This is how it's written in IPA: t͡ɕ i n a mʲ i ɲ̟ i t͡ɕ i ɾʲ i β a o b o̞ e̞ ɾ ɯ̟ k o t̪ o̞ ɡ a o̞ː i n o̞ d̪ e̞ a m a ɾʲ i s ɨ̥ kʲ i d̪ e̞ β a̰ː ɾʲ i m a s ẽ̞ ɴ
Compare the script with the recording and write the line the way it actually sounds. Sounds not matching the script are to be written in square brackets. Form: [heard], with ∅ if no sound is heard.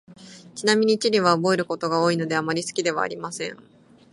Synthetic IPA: t͡ɕ i n a mʲ i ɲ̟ i t͡ɕ i ɾʲ i β a o b o̞ e̞ ɾ ɯ̟ k o t̪ o̞ ɡ a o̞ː i n o̞ d̪ e̞ a m a ɾʲ i s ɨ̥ kʲ i d̪ e̞ β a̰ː ɾʲ i m a s ẽ̞ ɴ